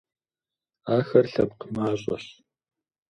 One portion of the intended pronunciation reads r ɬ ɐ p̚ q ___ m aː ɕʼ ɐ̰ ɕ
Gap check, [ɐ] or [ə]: ə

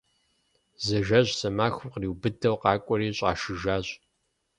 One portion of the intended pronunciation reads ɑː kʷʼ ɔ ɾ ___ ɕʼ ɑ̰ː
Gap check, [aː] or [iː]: iː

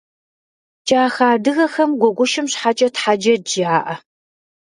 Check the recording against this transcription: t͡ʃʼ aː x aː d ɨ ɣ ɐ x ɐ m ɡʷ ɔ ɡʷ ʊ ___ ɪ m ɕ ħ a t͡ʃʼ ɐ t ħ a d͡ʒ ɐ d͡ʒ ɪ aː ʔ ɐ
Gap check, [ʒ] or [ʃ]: ʃ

